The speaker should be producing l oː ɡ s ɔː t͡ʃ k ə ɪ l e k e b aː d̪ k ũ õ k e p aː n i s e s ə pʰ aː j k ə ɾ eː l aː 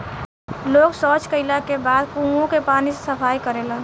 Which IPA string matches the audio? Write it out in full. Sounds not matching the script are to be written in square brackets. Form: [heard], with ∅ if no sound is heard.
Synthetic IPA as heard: l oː ɡ s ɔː t͡ʃ k ə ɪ l [a] k e b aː d̪ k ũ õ k e p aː n i s e s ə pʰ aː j k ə ɾ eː l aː

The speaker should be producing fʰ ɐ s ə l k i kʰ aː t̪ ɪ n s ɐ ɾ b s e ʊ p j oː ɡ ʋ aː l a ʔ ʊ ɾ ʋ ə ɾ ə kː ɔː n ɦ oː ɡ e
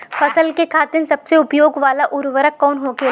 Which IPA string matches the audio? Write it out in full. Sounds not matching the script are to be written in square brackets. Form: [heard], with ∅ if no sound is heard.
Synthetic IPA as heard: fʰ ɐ s ə l k [e] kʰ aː t̪ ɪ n s ɐ [∅] b s e ʊ p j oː ɡ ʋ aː l a ʔ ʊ ɾ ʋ ə ɾ ə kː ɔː n ɦ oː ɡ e

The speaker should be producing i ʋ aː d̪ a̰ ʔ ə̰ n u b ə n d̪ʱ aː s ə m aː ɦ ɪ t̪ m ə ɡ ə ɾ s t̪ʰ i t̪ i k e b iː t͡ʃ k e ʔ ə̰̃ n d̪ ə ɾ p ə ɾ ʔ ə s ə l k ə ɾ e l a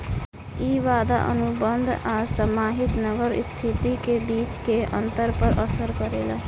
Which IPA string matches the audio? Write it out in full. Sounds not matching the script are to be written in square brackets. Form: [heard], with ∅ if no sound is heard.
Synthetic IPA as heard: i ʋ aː d̪ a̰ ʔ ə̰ n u b ə n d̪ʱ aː s ə m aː ɦ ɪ t̪ [n] ə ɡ ə ɾ s t̪ʰ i t̪ i k e b iː t͡ʃ k e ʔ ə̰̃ n [t̪] ə ɾ p ə ɾ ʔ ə s ə [ɾ] k ə ɾ e l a

